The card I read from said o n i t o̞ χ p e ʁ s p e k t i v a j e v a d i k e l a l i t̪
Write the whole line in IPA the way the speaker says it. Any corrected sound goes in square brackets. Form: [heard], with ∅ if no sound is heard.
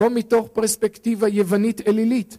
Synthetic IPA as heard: o [m] i t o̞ χ p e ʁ s p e k t i v a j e v a [n] i [t] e l [i] l i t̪